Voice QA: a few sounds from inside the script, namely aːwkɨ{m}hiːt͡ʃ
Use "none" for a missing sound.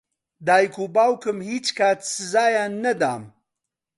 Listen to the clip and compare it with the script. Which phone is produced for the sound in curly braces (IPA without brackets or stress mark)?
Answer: m